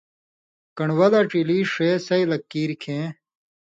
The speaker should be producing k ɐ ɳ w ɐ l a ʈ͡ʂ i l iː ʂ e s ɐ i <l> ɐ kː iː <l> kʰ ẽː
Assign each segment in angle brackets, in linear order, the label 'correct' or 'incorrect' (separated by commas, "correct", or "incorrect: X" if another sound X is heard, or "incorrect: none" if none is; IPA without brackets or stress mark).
correct, incorrect: ɾ